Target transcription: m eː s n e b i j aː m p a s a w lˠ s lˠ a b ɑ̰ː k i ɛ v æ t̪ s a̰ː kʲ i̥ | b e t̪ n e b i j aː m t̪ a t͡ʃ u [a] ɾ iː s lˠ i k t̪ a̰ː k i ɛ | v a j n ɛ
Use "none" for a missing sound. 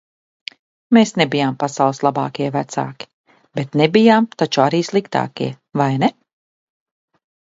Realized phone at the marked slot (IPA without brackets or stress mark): a